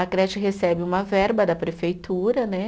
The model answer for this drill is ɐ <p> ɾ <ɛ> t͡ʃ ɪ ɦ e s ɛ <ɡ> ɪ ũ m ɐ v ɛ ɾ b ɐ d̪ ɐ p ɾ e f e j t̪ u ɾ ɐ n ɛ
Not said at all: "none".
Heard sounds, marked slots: k, ɛ, b

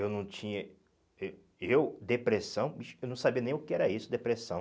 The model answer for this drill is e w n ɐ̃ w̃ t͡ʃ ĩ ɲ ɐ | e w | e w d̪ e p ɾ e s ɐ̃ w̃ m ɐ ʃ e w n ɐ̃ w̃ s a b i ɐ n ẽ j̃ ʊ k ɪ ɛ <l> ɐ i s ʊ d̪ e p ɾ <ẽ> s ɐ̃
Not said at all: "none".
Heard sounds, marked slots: ɾ, e

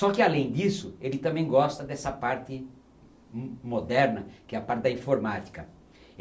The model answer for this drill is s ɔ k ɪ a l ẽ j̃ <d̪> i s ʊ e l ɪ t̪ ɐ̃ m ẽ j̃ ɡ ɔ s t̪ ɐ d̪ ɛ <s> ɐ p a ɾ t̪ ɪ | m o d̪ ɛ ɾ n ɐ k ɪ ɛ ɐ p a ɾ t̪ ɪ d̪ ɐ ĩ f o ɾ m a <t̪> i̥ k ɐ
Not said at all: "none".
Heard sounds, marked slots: d̪, s, t̪

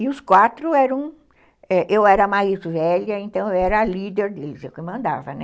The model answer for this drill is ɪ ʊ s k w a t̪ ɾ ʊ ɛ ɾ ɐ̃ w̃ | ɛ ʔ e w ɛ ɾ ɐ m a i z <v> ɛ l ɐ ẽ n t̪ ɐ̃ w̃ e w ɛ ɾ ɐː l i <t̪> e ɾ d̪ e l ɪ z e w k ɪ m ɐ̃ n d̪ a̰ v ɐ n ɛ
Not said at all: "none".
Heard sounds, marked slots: v, d̪

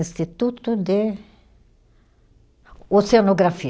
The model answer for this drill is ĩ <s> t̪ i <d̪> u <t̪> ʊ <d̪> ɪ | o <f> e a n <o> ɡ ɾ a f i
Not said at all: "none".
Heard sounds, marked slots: s, t̪, t̪, d̪, s, o

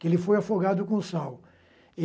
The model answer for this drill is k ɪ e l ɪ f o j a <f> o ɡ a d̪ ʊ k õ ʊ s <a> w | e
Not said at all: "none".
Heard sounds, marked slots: f, a

